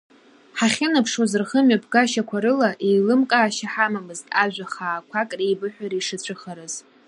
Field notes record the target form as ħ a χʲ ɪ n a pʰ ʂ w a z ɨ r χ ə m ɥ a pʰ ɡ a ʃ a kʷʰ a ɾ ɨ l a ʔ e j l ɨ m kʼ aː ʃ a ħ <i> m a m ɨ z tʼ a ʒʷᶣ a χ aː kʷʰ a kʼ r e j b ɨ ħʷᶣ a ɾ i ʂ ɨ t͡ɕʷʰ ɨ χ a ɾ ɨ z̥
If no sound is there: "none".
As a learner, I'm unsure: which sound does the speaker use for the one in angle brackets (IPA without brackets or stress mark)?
a